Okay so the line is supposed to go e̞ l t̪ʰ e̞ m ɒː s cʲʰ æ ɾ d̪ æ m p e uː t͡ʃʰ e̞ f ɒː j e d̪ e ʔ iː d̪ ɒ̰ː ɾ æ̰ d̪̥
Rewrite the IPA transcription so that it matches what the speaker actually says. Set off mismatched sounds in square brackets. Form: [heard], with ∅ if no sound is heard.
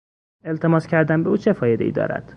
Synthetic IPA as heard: e̞ l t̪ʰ e̞ m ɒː s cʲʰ æ ɾ d̪ æ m [b] e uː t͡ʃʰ e̞ f ɒː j e d̪ e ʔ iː d̪ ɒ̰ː ɾ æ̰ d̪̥